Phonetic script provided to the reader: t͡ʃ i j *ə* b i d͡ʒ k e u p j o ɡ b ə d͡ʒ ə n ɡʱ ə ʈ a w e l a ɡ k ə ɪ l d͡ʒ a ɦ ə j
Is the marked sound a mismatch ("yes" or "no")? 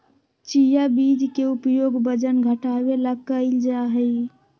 yes